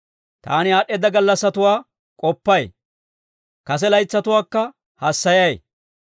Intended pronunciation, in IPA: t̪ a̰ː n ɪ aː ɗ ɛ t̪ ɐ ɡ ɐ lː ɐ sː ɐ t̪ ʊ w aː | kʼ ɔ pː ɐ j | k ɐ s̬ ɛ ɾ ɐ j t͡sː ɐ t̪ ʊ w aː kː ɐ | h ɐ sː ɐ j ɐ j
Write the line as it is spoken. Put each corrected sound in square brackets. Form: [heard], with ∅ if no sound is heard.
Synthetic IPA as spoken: t̪ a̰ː n ɪ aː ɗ ɛ [d̪] ɐ ɡ ɐ lː ɐ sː ɐ t̪ ʊ w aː | kʼ ɔ pː ɐ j | k ɐ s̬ ɛ [l] ɐ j t͡sː ɐ t̪ ʊ w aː kː ɐ | h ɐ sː ɐ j ɐ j